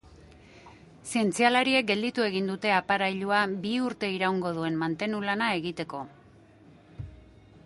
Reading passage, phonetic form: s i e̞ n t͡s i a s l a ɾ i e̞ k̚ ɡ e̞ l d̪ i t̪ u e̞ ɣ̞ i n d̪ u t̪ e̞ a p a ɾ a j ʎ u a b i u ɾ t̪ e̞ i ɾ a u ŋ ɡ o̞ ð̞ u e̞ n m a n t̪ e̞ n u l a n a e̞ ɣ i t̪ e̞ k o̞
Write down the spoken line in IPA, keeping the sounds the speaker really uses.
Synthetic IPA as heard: s i e̞ n t͡s i a l a ɾ i e̞ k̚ ɡ e̞ l d̪ i t̪ u e̞ ɣ̞ i n d̪ u t̪ e̞ a p a ɾ a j ʎ u a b i u ɾ t̪ e̞ i ɾ a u ŋ ɡ o̞ ð̞ u e̞ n m a n t̪ e̞ n u l a n a e̞ ɣ i t̪ e̞ k o̞